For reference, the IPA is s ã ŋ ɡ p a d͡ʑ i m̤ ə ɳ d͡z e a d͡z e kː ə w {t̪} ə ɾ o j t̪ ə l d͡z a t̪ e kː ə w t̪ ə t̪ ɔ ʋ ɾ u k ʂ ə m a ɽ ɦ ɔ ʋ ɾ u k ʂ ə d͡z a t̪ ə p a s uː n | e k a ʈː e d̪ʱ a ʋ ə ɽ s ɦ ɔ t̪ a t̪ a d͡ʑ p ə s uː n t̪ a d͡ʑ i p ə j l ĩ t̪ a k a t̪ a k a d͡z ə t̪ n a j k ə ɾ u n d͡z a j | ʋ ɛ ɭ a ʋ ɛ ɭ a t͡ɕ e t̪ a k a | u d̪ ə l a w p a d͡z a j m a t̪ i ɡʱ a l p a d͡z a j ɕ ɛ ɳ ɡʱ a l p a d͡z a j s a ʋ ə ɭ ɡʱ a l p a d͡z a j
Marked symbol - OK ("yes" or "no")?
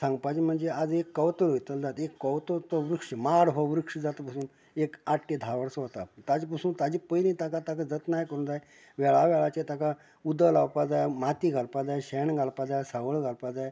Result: yes